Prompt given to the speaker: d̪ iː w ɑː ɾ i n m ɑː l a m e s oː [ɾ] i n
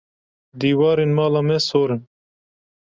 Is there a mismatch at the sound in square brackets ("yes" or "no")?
no